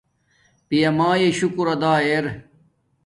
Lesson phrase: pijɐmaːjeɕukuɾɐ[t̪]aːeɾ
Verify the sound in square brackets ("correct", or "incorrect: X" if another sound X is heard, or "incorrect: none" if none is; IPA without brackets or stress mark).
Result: incorrect: d̪